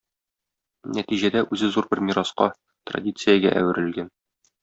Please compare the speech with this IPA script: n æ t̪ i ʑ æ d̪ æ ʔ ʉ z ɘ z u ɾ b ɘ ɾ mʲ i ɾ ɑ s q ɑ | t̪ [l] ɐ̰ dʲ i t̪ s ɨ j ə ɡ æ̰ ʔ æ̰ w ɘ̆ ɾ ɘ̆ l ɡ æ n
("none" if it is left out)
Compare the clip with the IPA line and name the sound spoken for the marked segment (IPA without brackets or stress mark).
r